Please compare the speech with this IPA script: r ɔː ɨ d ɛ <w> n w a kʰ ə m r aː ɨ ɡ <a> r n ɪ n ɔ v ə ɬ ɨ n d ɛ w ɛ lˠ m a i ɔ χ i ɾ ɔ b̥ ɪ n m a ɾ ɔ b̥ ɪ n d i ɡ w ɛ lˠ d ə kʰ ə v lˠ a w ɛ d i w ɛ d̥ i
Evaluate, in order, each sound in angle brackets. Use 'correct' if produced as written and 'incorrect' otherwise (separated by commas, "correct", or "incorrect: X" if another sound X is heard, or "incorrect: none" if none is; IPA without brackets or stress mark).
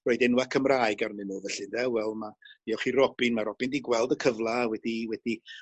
incorrect: none, correct